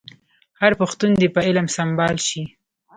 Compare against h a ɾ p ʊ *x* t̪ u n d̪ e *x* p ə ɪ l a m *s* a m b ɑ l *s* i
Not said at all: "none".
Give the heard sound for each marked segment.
x, none, s, ʃ

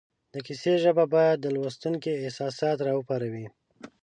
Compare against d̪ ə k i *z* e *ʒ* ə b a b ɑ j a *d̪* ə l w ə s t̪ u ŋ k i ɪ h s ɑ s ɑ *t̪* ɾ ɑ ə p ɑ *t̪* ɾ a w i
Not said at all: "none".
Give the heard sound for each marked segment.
s, ʒ, d̪ː, t̪, none

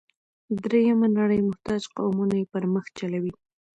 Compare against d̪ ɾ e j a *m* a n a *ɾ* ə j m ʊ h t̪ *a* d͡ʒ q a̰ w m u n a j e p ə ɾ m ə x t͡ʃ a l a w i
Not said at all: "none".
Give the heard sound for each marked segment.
m, ɽ, ɑ

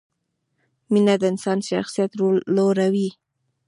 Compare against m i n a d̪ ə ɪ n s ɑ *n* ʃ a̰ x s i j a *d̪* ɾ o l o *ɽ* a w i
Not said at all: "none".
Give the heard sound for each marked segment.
n, t̪, ɾ

